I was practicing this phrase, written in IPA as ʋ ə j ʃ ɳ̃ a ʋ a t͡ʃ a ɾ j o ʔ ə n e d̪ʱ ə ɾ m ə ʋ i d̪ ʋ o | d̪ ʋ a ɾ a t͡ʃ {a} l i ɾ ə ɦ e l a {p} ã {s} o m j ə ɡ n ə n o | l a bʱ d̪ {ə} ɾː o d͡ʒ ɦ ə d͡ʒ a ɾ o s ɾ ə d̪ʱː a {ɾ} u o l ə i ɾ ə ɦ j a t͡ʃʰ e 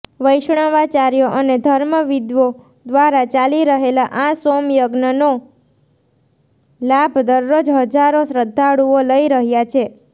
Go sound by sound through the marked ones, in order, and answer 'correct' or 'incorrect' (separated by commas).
correct, incorrect, correct, correct, incorrect